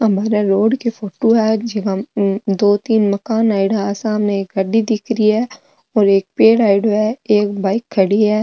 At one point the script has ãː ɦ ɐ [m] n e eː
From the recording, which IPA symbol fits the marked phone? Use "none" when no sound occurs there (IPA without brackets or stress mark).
m